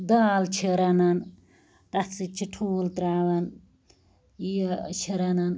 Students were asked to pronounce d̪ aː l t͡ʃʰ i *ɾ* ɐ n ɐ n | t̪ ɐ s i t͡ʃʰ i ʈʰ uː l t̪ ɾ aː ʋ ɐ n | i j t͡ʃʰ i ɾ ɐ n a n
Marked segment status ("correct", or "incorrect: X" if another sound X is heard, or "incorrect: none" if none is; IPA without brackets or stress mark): correct